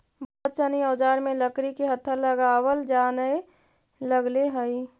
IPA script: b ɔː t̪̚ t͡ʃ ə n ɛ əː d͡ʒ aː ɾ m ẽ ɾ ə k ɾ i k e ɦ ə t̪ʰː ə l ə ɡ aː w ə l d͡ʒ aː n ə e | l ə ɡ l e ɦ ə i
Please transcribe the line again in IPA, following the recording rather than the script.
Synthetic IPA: b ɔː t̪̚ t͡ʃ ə n i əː d͡ʒ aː ɾ m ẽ l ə k ɾ i k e ɦ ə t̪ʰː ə l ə ɡ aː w ə l d͡ʒ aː n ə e | l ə ɡ l e ɦ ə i

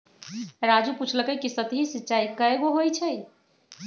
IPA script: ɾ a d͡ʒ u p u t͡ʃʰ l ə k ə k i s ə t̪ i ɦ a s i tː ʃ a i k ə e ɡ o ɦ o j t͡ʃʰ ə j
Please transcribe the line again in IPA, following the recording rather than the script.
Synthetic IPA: ɾ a d͡ʒ u p u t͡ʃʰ l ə k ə k i s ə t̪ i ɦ i s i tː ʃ a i k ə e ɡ o ɦ o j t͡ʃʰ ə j

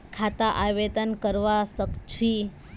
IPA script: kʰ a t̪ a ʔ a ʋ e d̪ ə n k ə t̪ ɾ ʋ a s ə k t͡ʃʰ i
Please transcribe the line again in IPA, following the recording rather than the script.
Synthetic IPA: kʰ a t̪ a ʔ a ʋ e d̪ ə n k ə ɾ ʋ a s ə k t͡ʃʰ i

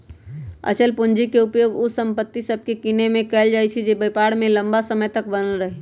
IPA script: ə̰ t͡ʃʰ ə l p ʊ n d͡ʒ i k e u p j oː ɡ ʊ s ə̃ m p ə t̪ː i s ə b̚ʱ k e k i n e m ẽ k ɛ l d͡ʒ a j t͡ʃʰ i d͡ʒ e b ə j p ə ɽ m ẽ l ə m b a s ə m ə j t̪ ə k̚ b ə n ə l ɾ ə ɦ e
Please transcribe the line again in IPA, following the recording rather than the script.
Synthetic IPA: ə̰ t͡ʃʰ ə l p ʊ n d͡ʒ i k e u p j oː ɡ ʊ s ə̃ m p ə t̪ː i s ə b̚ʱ k e k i n e m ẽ k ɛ l d͡ʒ a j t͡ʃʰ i d͡ʒ e b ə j p a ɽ m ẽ l ə m b a s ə m ə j t̪ ə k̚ b ə n ə l ɾ ə ɦ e

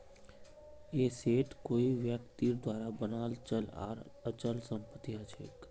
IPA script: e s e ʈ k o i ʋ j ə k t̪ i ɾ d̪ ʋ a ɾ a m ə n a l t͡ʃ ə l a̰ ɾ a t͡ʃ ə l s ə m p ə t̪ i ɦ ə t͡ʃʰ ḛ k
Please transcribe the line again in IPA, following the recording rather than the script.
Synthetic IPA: e s e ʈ k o i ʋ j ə k t̪ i ɾ d̪ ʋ a ɾ a b ə n a l t͡ʃ ə l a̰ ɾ ə t͡ʃ ə l s ə m p ə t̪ i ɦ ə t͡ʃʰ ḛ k

